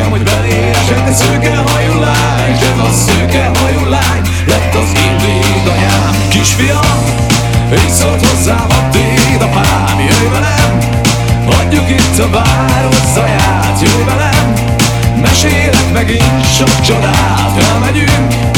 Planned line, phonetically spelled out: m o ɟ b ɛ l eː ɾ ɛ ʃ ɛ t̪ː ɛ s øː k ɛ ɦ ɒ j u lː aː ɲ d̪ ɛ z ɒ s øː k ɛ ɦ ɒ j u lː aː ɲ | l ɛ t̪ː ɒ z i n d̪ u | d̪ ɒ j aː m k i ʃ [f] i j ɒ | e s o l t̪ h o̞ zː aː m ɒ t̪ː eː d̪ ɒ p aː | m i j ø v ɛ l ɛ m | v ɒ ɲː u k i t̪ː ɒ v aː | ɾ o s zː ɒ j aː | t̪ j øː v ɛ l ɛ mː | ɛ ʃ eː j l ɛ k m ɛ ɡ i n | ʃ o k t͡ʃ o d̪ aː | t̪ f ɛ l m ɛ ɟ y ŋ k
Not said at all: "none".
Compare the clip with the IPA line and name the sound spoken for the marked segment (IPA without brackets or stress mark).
f